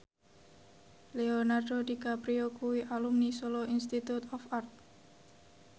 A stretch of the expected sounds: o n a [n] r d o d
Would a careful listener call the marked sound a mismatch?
yes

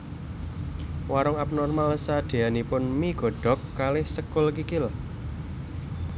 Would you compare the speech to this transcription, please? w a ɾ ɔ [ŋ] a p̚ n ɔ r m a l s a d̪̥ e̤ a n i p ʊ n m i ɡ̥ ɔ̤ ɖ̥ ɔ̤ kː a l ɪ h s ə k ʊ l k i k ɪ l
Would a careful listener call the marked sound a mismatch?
no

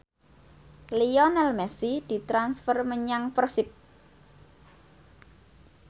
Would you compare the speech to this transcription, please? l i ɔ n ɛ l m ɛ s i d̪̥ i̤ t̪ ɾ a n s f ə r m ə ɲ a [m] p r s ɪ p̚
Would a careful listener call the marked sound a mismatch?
yes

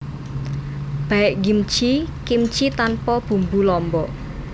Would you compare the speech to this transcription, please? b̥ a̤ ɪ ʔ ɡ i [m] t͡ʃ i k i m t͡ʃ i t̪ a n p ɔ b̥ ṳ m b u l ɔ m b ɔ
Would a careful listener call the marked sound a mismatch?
no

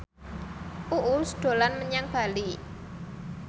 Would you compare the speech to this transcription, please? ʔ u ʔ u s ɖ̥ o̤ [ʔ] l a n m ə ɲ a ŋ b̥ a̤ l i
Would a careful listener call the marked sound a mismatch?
yes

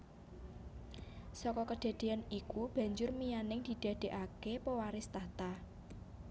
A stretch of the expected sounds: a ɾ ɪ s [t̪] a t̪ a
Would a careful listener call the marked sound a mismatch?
no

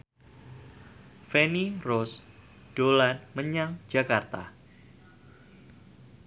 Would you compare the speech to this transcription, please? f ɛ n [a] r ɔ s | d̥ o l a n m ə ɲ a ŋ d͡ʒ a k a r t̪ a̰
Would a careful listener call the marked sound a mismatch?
yes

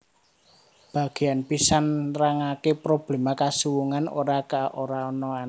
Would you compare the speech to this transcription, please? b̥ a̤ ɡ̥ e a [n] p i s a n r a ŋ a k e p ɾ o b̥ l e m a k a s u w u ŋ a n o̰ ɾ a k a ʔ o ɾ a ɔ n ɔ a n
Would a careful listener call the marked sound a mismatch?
no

